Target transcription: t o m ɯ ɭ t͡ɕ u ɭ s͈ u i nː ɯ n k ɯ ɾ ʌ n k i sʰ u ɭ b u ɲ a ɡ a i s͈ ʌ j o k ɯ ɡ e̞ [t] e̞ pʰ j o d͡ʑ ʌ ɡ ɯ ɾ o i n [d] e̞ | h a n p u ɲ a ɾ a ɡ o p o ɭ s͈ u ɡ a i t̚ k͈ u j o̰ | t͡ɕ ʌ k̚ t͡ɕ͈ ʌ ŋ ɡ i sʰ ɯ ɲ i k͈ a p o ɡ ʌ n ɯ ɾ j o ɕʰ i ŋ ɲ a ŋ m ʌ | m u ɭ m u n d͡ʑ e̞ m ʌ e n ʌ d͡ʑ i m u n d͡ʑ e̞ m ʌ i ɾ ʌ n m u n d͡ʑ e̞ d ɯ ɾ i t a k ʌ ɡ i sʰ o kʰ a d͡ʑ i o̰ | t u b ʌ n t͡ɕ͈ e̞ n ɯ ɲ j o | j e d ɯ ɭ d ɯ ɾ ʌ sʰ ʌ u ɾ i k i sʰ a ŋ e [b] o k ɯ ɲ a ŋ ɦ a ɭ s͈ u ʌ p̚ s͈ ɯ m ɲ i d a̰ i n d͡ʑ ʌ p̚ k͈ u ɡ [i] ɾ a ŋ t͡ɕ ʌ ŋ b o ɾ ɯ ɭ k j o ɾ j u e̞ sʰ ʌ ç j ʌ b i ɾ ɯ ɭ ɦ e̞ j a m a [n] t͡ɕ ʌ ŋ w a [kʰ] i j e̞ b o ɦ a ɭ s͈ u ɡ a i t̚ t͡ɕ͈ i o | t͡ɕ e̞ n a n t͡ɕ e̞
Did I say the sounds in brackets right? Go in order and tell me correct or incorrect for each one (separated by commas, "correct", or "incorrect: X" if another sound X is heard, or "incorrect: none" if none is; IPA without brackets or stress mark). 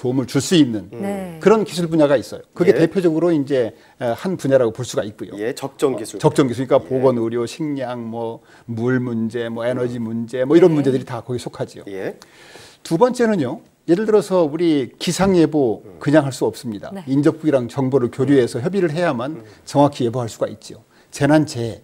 correct, incorrect: d͡ʑ, correct, correct, correct, correct